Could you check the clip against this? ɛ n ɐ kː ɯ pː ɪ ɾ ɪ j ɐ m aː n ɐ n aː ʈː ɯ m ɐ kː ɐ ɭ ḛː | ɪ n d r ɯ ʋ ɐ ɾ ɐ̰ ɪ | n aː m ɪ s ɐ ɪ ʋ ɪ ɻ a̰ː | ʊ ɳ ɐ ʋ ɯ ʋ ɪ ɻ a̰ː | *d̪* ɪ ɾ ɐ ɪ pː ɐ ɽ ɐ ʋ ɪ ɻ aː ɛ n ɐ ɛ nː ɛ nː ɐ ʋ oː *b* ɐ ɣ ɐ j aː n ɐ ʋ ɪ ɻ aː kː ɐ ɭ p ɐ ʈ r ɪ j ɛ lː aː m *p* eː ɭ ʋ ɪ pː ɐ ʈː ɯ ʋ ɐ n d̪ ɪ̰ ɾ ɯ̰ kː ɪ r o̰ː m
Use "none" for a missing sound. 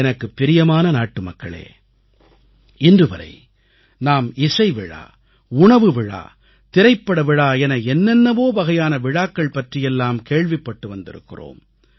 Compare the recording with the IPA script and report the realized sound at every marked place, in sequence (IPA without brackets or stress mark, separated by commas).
t̪, b, k